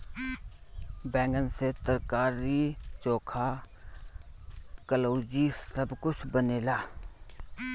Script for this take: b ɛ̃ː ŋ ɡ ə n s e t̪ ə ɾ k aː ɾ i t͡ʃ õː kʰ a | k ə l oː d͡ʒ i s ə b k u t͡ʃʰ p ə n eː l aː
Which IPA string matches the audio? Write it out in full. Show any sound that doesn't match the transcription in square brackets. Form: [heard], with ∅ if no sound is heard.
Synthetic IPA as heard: b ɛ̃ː ŋ ɡ ə n s e t̪ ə ɾ k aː ɾ i t͡ʃ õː kʰ a | k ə l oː d͡ʒ i s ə b k [ʊ] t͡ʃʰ [b] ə n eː l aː